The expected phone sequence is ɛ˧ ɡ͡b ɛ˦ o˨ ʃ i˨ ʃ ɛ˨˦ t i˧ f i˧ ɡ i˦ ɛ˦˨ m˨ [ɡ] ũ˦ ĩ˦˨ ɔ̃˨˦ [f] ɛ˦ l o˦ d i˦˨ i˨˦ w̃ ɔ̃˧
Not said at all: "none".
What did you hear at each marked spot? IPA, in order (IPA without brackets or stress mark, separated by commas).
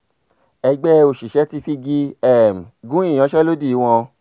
ɡ, ʃ